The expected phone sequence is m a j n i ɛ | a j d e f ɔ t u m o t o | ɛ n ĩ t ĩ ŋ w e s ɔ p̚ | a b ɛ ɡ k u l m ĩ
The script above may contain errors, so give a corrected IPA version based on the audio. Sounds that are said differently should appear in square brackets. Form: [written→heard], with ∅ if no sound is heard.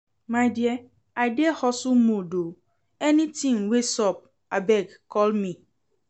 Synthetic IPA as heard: m a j [n→d] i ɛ | a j d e [f→h] ɔ [t→s] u m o [t→d] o | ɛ n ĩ t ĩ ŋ w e s ɔ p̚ | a b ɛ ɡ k [u→ɔ] l m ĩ

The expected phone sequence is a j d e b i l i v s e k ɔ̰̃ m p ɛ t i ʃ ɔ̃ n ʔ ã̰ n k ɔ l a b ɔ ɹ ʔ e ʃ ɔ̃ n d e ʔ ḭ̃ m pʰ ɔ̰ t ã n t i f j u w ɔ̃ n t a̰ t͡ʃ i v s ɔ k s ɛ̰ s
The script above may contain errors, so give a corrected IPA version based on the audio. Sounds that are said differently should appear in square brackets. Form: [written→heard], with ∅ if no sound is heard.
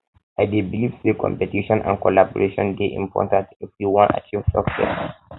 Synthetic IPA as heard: a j d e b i l i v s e k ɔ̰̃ m p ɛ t i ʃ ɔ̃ n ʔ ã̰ n k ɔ l a b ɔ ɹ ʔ e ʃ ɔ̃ n d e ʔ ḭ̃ m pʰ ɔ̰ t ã n t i f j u w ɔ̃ n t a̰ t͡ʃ i v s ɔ k s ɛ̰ s

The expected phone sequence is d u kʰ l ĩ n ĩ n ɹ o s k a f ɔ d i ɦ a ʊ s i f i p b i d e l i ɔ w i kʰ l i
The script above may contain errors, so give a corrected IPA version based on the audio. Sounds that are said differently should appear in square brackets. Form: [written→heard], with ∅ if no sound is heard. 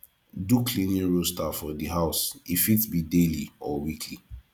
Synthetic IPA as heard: d u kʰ l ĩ n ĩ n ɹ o s [k→t] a f ɔ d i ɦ a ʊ s i f i [p→t] b i d e l i ɔ w i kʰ l i

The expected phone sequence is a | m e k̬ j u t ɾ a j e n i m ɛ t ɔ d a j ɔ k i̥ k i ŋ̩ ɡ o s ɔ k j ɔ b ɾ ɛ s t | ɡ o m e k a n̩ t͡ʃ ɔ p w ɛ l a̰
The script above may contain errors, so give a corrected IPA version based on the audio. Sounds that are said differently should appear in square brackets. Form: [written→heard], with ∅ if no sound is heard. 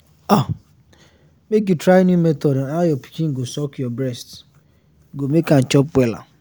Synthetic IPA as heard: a | m e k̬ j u t ɾ a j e n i m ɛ t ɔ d a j ɔ [k→p] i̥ k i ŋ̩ ɡ o s ɔ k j ɔ b ɾ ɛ s t | ɡ o m e k a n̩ t͡ʃ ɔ p w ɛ l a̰

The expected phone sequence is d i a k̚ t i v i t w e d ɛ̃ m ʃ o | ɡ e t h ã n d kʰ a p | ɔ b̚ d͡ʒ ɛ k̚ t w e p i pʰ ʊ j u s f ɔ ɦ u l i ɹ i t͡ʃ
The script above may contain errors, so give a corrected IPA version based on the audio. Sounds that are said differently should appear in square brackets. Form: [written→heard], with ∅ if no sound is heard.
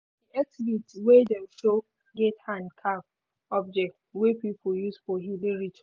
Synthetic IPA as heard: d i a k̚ t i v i t w e d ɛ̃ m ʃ o | ɡ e t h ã n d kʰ a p | ɔ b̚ d͡ʒ ɛ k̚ t w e p i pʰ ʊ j u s f ɔ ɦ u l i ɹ i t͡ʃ

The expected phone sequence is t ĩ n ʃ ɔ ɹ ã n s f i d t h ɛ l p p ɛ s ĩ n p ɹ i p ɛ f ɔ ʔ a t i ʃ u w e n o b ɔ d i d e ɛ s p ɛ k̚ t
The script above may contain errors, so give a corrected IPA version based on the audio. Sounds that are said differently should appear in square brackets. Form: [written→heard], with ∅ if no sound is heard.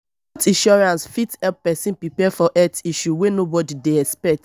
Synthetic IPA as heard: t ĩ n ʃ ɔ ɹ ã n s f i [d→∅] t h ɛ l p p ɛ s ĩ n p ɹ i p ɛ f ɔ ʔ [a→ɛ] t i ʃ u w e n o b ɔ d i d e ɛ s p ɛ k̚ t

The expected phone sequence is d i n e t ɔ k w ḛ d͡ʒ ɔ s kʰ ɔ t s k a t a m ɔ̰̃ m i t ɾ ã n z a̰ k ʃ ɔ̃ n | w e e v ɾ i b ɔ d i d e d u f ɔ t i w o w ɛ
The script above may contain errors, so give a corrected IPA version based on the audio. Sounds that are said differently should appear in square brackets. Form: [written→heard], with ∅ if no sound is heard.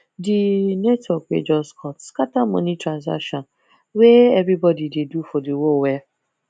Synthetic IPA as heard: d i n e t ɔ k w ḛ d͡ʒ ɔ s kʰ ɔ t s k a t a m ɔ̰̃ [m→n] i t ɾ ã n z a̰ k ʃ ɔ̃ n | w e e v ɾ i b ɔ d i d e d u f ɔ [t→d] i w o w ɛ

